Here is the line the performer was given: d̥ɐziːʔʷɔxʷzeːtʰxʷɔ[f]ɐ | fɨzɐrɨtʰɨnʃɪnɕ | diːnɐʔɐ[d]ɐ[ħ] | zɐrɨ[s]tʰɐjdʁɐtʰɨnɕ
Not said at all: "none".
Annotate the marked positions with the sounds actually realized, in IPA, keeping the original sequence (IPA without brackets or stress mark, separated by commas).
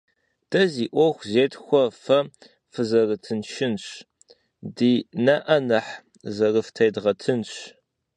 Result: f, n, ħ, f